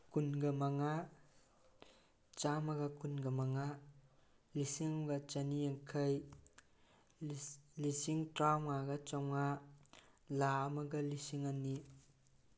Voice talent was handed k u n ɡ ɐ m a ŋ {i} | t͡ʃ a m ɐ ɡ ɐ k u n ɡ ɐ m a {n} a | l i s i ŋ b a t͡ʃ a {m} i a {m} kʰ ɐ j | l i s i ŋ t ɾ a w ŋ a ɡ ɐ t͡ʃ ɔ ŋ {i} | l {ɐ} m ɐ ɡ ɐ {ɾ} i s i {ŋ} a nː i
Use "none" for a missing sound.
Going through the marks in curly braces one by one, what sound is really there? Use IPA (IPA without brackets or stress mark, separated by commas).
a, ŋ, n, ŋ, a, a, l, ŋ